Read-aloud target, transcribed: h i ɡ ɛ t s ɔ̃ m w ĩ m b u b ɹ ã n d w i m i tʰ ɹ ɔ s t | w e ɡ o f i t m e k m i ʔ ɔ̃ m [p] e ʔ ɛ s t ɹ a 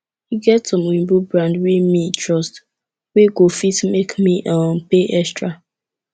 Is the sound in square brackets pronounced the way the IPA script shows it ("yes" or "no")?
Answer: yes